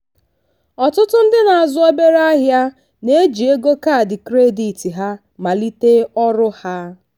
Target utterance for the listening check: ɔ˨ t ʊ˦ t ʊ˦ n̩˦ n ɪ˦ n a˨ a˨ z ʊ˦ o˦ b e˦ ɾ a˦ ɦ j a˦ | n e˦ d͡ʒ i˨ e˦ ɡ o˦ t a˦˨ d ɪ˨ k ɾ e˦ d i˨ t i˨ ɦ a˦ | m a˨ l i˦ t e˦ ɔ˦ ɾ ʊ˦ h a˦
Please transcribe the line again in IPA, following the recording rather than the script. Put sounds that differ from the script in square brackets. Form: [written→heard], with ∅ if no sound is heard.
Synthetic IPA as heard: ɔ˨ t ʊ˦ t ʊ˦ n̩˦ [n→d] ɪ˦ n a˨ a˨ z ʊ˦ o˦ b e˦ ɾ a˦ ɦ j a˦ | n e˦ d͡ʒ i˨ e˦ ɡ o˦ [t→k] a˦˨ d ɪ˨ k ɾ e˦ d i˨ t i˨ ɦ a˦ | m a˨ l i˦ t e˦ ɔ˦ ɾ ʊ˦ h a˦